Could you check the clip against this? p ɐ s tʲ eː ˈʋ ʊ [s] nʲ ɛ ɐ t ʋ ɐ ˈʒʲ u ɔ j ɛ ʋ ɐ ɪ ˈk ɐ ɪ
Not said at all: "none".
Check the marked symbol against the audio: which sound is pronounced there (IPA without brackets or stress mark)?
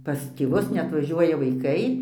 s